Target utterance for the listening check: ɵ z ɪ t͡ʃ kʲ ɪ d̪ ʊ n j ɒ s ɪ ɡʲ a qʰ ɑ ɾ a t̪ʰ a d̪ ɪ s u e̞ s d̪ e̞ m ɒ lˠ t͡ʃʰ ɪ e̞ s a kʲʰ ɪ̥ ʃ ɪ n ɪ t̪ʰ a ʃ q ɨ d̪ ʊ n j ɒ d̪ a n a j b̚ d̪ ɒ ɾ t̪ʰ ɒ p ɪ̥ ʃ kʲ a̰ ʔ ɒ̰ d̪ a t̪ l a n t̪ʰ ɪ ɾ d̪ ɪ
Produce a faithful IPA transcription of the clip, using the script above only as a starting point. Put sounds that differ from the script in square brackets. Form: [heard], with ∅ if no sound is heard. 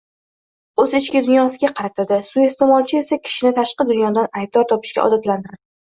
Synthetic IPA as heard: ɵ z ɪ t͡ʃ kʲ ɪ d̪ ʊ n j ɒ s ɪ ɡʲ a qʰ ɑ ɾ a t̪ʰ a d̪ ɪ s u e̞ s [t̪] e̞ m ɒ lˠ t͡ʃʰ ɪ e̞ s a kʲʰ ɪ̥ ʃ ɪ n ɪ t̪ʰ a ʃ q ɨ d̪ ʊ n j ɒ d̪ a n a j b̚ d̪ ɒ ɾ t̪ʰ ɒ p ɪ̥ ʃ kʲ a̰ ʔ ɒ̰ d̪ a t̪ l a n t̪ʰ ɪ ɾ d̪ ɪ